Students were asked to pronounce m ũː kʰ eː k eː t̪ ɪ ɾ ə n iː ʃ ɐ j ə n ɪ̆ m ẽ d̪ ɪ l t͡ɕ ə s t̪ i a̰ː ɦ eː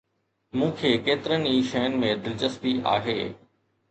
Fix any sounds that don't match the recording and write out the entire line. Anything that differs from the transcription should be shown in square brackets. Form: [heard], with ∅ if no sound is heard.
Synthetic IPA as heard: m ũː kʰ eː k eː t̪ ɪ ɾ ə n iː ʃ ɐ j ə n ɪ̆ m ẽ d̪ ɪ l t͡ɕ ə s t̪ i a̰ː ɦ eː